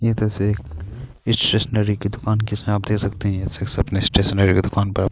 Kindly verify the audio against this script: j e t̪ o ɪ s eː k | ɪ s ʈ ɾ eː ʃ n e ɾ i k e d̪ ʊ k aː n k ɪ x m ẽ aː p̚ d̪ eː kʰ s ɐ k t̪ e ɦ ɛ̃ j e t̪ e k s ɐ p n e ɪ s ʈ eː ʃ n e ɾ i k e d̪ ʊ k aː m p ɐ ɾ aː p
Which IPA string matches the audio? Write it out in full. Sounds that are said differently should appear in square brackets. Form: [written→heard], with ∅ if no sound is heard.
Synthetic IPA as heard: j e t̪ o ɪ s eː k | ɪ s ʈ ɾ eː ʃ n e ɾ i k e d̪ ʊ k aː n k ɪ [x→s] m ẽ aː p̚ d̪ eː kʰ s ɐ k t̪ e ɦ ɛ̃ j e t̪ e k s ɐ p n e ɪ s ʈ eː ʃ n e ɾ i k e d̪ ʊ k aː [m→n] p ɐ ɾ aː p